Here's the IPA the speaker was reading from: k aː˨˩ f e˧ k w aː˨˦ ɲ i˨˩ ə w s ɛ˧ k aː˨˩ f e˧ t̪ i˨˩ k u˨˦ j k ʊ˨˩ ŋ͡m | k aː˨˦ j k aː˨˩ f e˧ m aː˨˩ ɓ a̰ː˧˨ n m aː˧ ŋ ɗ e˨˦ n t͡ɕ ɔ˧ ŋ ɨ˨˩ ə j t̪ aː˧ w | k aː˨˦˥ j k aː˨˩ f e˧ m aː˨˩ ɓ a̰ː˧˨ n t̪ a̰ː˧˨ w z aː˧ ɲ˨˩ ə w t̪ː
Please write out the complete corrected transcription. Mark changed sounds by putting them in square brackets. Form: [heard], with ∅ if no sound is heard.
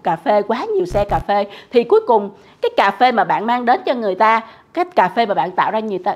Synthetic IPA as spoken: k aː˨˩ f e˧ k w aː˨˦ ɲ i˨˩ ə w s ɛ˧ k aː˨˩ f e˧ [t̪ʰ] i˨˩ k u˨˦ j k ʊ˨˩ ŋ͡m | k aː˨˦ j k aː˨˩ f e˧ m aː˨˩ ɓ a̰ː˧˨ n m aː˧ ŋ ɗ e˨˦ n t͡ɕ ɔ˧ ŋ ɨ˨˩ ə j t̪ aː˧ [∅] | k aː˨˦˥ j k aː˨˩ f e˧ m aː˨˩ ɓ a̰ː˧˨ n t̪ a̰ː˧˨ w z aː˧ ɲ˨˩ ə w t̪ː